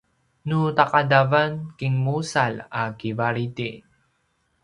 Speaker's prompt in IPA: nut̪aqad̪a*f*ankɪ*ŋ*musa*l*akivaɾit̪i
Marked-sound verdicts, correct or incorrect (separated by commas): incorrect, correct, correct